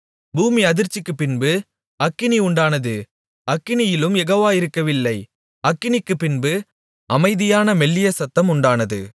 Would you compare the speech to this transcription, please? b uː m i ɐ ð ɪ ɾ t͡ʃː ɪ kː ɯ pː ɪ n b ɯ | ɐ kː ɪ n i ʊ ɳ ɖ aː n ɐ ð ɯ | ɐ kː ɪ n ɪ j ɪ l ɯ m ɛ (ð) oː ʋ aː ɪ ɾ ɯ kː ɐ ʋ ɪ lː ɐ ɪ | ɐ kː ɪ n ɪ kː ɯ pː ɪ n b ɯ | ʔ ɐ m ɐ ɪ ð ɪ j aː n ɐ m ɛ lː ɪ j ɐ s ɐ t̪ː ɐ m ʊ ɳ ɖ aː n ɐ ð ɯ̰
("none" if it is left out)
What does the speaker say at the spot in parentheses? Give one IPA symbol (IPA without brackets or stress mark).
ɣ